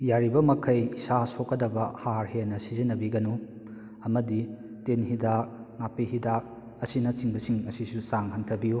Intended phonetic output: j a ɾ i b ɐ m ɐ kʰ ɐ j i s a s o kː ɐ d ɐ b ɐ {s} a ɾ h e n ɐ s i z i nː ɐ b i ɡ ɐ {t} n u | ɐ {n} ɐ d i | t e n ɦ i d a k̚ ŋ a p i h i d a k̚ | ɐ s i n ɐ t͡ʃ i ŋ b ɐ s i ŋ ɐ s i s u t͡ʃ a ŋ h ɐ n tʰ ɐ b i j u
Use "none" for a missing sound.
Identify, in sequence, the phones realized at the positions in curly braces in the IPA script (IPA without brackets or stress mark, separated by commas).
h, none, m